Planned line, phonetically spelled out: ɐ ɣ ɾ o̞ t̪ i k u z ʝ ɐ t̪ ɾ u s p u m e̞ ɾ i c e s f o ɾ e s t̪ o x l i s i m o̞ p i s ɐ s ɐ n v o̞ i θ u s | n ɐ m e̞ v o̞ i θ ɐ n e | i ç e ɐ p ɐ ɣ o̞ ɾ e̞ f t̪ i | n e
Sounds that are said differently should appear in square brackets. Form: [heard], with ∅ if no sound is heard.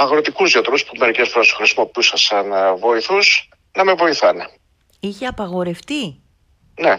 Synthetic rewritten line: ɐ ɣ ɾ o̞ t̪ i k u z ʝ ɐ t̪ ɾ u s p u m e̞ ɾ i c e s f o ɾ e s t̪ o x [ɾ] i s i m o̞ p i s ɐ s ɐ n v o̞ i θ u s | n ɐ m e̞ v o̞ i θ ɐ n e | i ç e ɐ p ɐ ɣ o̞ ɾ e̞ f t̪ i | n e